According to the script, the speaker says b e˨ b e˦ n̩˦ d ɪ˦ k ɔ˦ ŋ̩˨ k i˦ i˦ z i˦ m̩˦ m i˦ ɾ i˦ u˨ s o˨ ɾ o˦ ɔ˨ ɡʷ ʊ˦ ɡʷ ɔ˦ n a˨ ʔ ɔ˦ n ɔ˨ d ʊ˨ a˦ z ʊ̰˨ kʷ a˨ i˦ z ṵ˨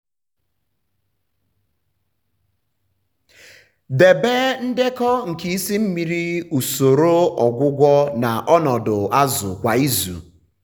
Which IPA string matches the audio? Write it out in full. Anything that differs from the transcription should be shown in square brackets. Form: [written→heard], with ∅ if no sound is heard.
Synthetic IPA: [b→d] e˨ b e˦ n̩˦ d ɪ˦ k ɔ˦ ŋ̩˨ k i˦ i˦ [z→s] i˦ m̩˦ m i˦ ɾ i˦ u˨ s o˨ ɾ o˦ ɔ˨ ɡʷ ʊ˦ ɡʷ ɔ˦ n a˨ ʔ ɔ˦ n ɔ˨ d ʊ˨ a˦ z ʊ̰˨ kʷ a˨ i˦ z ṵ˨